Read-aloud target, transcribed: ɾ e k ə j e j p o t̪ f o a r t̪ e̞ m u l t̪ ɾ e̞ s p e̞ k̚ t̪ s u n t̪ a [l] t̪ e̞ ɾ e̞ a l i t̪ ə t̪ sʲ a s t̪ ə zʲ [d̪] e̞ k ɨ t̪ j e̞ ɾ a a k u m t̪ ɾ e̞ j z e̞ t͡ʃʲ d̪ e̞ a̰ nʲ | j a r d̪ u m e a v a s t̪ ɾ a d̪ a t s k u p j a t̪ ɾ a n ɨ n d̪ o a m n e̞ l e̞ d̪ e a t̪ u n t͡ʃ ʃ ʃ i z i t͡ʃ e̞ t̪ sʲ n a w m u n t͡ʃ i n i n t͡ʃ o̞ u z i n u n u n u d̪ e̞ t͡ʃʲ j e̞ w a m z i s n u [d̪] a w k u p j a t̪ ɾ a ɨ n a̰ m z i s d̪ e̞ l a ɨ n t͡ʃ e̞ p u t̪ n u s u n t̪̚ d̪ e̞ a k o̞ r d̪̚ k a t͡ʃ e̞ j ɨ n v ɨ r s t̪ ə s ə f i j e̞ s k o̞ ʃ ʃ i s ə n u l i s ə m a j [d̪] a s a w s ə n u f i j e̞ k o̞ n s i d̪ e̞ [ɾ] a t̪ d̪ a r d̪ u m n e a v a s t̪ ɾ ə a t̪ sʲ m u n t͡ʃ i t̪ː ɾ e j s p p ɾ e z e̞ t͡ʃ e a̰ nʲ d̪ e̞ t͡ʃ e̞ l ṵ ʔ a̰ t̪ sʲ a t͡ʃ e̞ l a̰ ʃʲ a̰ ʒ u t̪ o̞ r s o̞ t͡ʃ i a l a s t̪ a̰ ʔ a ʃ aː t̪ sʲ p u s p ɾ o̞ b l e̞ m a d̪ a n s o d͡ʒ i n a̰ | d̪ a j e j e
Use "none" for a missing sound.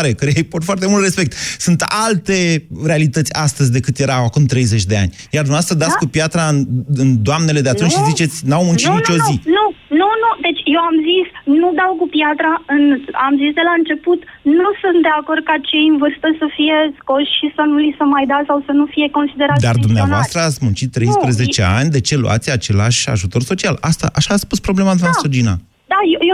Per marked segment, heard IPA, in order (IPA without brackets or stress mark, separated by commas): l, d̪, d̪, d̪, ɾ